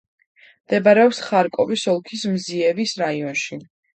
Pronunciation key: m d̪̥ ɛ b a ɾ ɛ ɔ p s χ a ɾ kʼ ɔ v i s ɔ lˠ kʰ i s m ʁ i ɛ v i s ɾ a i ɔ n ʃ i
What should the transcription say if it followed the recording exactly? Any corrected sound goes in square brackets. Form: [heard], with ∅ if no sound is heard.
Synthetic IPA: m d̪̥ ɛ b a ɾ ɛ ɔ p s χ a ɾ kʼ ɔ v i s ɔ lˠ kʰ i s m [z] i ɛ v i s ɾ a i ɔ n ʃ i